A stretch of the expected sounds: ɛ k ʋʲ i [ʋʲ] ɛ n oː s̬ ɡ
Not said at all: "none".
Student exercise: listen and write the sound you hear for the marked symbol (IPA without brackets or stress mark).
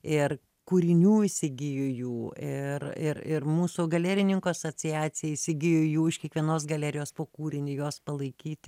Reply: none